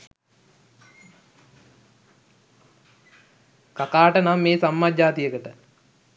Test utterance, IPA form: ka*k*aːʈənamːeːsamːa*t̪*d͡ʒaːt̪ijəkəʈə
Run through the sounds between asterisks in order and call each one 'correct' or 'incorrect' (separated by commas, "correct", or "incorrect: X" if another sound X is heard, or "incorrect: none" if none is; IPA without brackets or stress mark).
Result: correct, incorrect: none